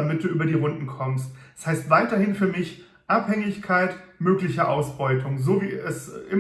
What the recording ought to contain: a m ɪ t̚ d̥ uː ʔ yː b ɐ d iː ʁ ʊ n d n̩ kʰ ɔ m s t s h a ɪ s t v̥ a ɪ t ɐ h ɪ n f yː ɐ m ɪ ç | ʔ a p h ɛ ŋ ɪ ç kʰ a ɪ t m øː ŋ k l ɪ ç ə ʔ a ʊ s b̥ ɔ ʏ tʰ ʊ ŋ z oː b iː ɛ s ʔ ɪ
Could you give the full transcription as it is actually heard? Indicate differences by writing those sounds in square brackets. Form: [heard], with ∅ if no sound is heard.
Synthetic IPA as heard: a m ɪ t̚ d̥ uː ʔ yː b ɐ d iː ʁ ʊ n d n̩ kʰ ɔ m s t s h a ɪ s t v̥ a ɪ t ɐ h ɪ n f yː ɐ m ɪ ç | ʔ a p h ɛ ŋ ɪ ç kʰ a ɪ t m øː [∅] k l ɪ ç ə ʔ a ʊ s b̥ ɔ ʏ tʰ ʊ ŋ z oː [v] iː ɛ s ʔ ɪ